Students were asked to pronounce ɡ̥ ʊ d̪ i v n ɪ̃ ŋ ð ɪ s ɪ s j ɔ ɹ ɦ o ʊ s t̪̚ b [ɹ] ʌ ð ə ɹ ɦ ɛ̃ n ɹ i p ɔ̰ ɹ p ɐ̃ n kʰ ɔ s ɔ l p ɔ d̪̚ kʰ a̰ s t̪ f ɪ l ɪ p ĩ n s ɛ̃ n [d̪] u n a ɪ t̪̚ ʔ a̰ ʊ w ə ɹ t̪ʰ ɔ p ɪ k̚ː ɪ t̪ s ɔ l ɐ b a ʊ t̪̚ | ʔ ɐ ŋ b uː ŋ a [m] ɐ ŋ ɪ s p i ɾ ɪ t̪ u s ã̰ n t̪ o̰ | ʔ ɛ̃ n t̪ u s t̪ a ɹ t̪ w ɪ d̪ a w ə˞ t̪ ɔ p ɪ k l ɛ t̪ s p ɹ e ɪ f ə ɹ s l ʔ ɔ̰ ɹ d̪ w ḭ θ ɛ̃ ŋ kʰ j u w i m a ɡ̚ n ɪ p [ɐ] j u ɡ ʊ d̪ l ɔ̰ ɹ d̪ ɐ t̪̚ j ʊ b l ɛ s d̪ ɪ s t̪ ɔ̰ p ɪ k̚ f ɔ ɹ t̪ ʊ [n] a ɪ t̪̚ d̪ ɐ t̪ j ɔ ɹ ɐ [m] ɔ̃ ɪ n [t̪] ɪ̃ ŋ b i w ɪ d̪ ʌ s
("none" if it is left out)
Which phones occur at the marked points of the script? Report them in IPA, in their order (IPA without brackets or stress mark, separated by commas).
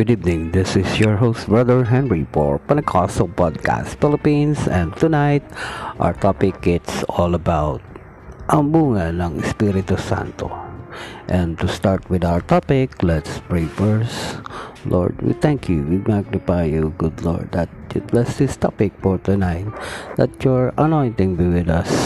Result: ɹ, t̪, n, a, n, n, t̪